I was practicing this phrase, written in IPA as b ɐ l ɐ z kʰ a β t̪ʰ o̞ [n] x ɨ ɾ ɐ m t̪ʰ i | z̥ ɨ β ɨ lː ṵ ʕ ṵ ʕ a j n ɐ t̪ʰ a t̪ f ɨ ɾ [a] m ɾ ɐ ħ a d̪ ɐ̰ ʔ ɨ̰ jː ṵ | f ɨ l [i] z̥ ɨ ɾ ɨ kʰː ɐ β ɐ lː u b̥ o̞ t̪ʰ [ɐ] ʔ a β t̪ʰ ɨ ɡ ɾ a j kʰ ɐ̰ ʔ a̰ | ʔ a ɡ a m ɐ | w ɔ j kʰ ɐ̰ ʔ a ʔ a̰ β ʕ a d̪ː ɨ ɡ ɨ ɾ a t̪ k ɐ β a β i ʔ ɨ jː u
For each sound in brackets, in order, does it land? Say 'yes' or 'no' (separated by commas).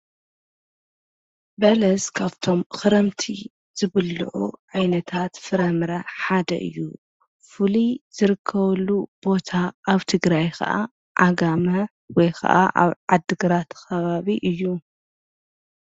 no, no, yes, no